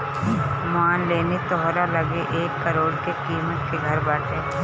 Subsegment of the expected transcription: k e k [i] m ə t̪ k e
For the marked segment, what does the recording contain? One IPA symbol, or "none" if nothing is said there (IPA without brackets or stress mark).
iː